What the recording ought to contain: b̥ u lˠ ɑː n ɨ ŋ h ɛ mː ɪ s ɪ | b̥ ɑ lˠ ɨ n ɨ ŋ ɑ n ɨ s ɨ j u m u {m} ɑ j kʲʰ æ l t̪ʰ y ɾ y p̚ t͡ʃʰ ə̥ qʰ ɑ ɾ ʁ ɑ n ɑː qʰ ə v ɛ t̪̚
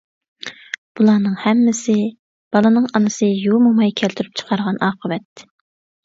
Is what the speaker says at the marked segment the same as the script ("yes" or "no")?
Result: yes